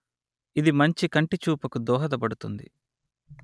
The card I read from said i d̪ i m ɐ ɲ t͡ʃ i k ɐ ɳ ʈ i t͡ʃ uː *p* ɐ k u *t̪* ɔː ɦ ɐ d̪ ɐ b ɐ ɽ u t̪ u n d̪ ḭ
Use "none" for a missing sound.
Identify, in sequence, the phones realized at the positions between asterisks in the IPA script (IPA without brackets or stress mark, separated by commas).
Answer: p, d̪